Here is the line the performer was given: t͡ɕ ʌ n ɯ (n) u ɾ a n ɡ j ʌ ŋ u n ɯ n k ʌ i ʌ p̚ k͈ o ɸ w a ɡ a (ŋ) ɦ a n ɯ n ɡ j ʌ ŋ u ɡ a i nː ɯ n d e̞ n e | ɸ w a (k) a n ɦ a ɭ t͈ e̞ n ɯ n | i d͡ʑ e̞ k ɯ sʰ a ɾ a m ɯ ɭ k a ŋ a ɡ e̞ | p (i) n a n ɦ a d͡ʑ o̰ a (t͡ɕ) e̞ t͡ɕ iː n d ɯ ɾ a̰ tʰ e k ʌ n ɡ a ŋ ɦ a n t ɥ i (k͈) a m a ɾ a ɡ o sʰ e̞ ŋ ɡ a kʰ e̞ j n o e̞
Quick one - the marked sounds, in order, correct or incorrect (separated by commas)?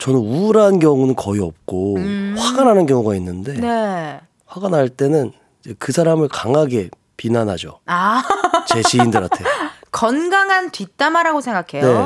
correct, incorrect, incorrect, correct, correct, incorrect